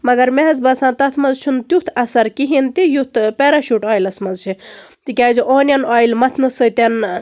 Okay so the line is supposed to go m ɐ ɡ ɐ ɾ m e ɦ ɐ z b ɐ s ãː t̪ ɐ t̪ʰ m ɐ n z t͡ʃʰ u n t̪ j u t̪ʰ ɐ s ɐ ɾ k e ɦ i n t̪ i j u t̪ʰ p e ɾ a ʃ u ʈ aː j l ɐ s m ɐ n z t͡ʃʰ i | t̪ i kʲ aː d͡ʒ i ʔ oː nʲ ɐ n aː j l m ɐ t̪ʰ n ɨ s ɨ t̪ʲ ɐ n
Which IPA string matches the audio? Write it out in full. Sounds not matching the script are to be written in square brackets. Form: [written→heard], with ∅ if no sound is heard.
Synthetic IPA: m ɐ ɡ ɐ ɾ m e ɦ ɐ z b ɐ s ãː t̪ ɐ t̪ʰ m ɐ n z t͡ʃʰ u n t̪ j u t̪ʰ ɐ s ɐ ɾ k [e→i] ɦ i n t̪ i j u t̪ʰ p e ɾ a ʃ u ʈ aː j l ɐ s m ɐ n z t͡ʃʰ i | t̪ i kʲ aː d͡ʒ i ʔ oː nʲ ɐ n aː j l m ɐ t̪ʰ n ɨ s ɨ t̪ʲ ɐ n